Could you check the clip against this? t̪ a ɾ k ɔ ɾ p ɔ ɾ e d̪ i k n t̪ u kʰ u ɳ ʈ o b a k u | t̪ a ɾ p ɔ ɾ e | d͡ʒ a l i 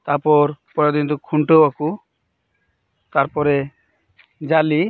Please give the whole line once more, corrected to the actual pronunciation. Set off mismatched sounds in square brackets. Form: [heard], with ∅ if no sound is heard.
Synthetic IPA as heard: t̪ a ɾ [p] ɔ ɾ p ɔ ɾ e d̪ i [∅] n t̪ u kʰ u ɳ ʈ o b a k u | t̪ a ɾ p ɔ ɾ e | d͡ʒ a l i